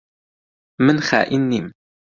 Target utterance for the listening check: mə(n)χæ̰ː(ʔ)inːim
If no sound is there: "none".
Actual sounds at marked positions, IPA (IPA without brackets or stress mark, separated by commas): n, ʔ